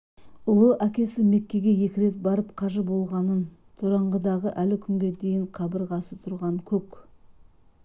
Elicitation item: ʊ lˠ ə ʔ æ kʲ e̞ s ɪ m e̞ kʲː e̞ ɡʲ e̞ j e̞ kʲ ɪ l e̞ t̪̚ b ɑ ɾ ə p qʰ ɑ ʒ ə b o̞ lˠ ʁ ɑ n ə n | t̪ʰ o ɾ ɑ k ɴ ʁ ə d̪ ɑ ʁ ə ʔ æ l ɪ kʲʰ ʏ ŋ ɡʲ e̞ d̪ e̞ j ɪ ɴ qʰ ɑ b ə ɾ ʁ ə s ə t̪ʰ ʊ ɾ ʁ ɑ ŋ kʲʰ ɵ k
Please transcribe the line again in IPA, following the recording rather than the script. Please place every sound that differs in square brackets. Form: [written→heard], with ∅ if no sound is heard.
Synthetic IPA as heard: ʊ lˠ ə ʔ æ kʲ e̞ s ɪ m e̞ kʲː e̞ ɡʲ e̞ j e̞ kʲ ɪ [l→ɾ] e̞ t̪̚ b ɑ ɾ ə p qʰ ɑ ʒ ə b o̞ lˠ ʁ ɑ n ə n | t̪ʰ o ɾ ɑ [k→∅] ɴ ʁ ə d̪ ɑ ʁ ə ʔ æ l ɪ kʲʰ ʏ ŋ ɡʲ e̞ d̪ e̞ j ɪ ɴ qʰ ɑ b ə ɾ ʁ [ə→ɑ] s ə t̪ʰ ʊ ɾ ʁ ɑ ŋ kʲʰ ɵ k